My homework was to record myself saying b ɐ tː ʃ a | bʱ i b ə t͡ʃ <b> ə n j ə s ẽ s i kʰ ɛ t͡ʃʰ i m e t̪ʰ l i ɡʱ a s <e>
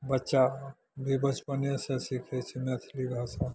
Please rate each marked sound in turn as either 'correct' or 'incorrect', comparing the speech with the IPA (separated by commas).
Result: incorrect, incorrect